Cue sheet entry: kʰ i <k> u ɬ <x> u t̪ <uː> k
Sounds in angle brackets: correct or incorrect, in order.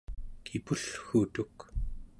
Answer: incorrect, correct, incorrect

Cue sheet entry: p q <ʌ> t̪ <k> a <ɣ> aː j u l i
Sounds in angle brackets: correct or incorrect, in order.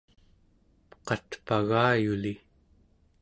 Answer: incorrect, incorrect, correct

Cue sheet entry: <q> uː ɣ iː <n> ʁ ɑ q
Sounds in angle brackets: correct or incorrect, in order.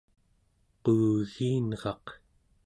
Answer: correct, correct

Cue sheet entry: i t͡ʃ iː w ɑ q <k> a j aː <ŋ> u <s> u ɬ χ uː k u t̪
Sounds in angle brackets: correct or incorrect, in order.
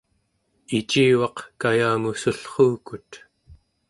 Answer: correct, incorrect, correct

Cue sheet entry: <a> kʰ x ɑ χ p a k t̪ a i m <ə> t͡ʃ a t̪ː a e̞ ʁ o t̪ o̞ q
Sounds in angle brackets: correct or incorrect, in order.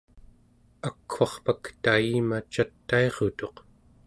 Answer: correct, incorrect

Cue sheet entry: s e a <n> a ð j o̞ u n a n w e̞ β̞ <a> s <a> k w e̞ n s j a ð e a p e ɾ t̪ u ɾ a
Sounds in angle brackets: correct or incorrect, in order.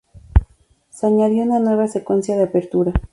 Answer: incorrect, correct, incorrect

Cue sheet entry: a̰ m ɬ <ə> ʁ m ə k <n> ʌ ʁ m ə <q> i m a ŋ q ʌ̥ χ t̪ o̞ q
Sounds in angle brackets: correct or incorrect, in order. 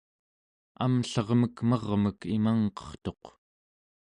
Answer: incorrect, incorrect, incorrect

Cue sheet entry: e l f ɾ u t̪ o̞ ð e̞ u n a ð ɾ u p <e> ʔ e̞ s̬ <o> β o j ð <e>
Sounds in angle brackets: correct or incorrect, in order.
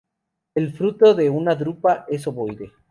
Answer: incorrect, correct, correct

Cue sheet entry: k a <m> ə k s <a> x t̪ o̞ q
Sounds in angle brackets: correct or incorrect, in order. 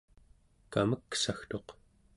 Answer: correct, correct

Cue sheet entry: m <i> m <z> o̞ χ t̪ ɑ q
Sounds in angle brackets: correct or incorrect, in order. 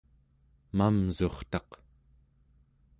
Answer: incorrect, correct

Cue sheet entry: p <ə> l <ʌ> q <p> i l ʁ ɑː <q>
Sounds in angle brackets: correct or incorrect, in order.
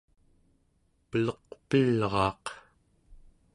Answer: correct, correct, correct, correct

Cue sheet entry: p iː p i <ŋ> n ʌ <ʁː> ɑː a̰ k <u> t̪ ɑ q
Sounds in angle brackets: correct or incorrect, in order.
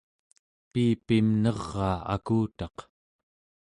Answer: incorrect, correct, incorrect

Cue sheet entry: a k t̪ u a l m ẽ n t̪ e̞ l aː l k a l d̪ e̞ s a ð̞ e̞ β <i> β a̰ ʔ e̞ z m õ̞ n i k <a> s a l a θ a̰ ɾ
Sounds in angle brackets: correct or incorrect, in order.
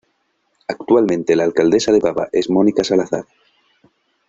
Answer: incorrect, correct

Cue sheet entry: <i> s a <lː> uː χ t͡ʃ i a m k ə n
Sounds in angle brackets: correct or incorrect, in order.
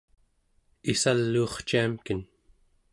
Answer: correct, correct

